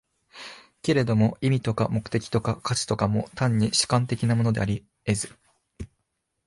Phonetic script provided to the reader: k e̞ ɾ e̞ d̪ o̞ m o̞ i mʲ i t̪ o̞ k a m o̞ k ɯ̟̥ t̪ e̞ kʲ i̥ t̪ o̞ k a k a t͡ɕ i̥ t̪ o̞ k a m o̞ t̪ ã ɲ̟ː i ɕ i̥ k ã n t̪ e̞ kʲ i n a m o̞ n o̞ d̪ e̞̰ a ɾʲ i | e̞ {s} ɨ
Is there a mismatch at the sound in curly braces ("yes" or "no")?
yes